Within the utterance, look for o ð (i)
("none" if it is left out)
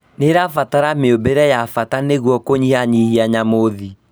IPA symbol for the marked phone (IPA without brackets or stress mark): i